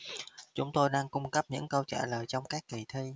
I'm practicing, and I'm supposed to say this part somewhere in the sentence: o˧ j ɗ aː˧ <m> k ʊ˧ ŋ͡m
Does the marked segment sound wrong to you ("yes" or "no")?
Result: yes